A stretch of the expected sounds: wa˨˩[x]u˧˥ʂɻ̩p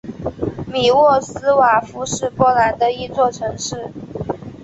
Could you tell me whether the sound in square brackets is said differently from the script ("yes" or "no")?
yes